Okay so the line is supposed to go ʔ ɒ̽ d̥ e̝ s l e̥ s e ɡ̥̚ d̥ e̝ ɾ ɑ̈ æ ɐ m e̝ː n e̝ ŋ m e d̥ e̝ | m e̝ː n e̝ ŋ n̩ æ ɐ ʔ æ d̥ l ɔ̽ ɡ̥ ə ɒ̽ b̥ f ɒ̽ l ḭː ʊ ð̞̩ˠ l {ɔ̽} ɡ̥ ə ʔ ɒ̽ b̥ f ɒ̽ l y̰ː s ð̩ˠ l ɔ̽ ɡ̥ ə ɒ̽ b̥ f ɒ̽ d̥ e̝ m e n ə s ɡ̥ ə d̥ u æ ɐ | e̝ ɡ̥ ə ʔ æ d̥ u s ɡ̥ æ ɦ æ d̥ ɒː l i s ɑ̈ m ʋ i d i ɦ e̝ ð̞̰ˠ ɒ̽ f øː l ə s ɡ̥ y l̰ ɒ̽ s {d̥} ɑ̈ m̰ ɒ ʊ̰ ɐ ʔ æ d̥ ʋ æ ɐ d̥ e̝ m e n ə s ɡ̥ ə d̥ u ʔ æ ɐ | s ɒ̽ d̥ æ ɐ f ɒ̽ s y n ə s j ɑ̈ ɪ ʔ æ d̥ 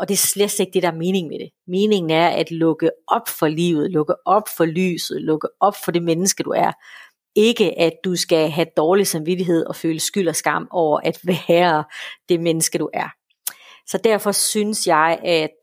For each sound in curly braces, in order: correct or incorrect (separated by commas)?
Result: correct, incorrect